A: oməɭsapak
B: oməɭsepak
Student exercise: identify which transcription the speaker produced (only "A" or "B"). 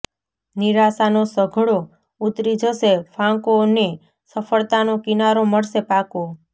B